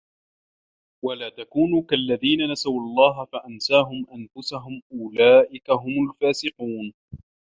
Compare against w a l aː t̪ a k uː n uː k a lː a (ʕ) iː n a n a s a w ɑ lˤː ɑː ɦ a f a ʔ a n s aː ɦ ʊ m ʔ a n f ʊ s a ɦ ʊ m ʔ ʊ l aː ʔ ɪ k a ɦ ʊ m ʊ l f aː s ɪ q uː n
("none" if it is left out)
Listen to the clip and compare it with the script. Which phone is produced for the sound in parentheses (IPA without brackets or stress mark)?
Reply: ð